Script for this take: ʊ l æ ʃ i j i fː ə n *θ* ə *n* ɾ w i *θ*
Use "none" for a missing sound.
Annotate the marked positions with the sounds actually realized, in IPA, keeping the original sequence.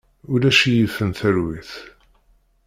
θ, none, θ

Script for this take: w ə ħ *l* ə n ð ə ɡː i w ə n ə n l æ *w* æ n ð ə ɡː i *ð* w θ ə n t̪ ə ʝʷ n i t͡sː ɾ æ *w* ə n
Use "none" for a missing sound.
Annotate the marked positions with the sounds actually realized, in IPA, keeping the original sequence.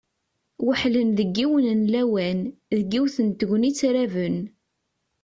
l, w, none, v

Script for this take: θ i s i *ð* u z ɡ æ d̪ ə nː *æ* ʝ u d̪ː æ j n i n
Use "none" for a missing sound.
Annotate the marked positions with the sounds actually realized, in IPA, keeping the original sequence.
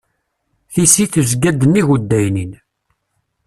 θ, i

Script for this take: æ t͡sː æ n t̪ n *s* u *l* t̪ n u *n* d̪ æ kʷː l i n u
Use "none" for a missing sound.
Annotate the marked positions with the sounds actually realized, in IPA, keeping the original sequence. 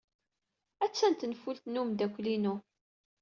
f, l, m

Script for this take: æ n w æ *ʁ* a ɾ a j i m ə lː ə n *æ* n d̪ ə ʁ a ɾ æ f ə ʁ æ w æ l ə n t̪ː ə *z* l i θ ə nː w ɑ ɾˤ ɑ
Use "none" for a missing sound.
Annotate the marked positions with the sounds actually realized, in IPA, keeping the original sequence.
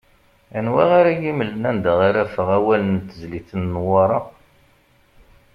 ʁ, æ, z

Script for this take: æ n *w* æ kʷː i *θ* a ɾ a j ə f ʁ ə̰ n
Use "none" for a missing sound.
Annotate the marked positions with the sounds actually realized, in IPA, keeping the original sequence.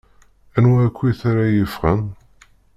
w, θ

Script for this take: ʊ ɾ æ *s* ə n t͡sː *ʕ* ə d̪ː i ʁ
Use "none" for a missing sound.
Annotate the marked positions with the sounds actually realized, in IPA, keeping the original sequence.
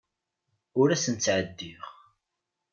s, ʕ

